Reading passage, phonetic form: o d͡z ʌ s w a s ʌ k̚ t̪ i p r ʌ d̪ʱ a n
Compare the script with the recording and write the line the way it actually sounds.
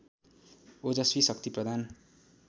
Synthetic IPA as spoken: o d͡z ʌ s w i s ʌ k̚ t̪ i p r ʌ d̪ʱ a n